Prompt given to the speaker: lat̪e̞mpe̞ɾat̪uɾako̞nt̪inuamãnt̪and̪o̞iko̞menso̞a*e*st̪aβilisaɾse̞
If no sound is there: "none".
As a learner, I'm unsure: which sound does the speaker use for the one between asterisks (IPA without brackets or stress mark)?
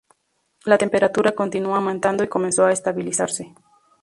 e